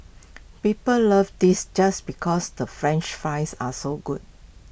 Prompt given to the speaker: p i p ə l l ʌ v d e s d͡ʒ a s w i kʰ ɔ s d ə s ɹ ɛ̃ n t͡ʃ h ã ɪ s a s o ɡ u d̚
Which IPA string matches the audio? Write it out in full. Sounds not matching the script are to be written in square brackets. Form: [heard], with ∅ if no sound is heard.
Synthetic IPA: p i p ə l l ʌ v d [i] s d͡ʒ a s [b] i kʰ ɔ s d ə [f] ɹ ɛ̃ n t͡ʃ [f] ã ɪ s a s o ɡ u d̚